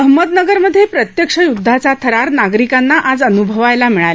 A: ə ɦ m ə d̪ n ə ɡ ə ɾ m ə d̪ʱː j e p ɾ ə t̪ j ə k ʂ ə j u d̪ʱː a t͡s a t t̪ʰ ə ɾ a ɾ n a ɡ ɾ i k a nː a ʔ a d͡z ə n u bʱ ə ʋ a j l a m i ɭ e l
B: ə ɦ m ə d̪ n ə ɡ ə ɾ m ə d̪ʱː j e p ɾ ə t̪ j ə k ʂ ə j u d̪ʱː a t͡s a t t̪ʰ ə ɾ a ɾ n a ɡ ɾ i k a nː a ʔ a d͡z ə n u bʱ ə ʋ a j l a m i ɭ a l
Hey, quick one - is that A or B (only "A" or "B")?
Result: B